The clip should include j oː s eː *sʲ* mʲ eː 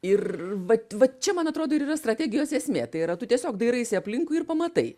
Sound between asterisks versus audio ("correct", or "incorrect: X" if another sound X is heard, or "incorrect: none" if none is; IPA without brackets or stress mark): correct